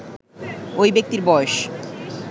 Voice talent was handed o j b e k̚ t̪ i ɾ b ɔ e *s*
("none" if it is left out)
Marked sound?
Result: ʃ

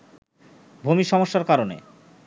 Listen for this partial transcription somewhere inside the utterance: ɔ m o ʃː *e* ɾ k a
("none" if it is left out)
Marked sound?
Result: a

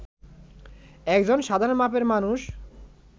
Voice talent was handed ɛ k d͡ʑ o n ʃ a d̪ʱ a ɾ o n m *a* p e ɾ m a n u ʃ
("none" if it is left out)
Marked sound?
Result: a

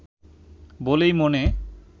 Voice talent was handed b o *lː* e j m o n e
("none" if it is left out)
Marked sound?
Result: l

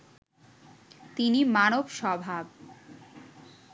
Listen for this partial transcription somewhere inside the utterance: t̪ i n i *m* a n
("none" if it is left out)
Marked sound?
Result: m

